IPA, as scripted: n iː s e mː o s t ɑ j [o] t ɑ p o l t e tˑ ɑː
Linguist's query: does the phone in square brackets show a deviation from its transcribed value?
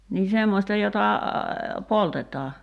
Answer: no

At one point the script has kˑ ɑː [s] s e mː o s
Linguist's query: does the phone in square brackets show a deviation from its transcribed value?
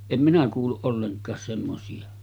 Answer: no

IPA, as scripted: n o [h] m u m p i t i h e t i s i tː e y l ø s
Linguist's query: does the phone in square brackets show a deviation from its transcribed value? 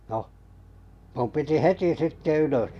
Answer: no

